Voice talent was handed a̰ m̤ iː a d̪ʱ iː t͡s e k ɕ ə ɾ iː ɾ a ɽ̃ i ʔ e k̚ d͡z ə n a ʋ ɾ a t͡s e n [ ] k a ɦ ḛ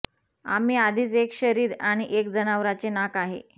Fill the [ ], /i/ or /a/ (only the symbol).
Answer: a